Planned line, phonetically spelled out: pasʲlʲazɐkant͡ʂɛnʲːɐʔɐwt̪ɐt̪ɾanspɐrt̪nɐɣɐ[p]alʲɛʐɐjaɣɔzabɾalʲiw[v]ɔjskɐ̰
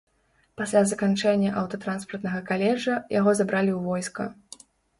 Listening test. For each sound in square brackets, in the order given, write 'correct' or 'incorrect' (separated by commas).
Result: incorrect, correct